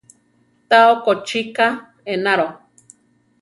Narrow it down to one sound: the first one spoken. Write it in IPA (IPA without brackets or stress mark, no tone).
t̪